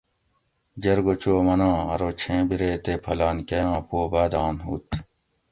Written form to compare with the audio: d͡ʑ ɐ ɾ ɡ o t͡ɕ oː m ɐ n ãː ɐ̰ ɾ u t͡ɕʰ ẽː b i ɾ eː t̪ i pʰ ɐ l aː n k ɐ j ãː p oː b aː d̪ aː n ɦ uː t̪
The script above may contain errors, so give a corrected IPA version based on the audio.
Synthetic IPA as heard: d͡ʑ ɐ ɾ ɡ o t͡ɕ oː m ɐ n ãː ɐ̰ ɾ o t͡ɕʰ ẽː b i ɾ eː t̪ e pʰ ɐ l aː n k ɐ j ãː p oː b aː d̪ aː n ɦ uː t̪